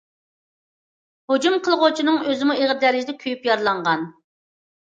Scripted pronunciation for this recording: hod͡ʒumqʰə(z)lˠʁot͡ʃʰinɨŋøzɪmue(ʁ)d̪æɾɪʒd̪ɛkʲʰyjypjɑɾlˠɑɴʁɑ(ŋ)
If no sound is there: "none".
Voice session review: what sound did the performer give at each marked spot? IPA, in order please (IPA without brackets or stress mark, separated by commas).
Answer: none, ʁ, n